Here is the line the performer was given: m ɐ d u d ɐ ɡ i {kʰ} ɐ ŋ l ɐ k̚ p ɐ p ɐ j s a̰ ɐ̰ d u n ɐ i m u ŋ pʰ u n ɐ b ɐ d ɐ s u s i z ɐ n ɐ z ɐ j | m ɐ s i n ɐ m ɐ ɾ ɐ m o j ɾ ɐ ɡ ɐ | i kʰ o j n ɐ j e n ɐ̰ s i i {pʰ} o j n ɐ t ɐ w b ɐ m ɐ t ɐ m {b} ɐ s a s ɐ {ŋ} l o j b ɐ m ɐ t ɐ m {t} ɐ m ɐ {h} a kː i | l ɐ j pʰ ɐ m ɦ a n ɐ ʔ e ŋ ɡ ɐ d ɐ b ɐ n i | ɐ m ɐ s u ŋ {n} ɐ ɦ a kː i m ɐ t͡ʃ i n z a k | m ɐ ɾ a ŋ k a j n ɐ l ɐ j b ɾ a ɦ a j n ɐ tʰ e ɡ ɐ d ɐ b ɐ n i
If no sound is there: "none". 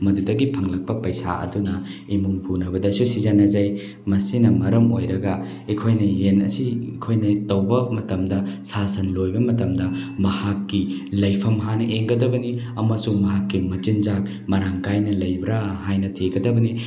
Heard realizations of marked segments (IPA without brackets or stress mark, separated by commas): pʰ, kʰ, d, n, d, h, m